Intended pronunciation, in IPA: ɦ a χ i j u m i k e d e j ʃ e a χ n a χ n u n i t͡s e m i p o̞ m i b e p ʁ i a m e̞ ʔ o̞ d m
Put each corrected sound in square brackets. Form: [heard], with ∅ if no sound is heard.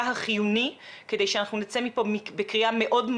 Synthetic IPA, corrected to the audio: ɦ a χ i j u [n] i k e d e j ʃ e a [∅] n a χ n u n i t͡s e m i p o̞ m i b e [k] ʁ i a m e̞ ʔ o̞ d m